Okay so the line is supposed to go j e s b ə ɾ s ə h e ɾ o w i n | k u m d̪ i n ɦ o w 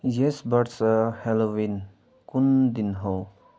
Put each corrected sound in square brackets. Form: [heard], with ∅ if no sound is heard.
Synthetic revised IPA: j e s b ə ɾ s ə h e [l] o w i n | k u [n] d̪ i n ɦ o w